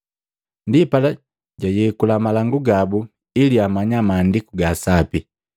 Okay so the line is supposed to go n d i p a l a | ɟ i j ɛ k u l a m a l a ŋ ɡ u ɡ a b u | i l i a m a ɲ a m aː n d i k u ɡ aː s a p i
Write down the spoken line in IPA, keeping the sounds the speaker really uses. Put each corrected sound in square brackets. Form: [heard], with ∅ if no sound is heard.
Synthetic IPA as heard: n d i p a l a | ɟ [a] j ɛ k u l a m a l a ŋ ɡ u ɡ a b u | i l i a m a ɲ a m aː n d i k u ɡ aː s a p i